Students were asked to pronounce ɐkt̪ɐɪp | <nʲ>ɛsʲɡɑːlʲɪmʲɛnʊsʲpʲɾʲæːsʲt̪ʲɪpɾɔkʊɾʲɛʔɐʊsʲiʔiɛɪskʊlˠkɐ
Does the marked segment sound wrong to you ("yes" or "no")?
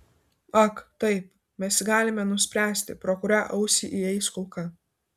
yes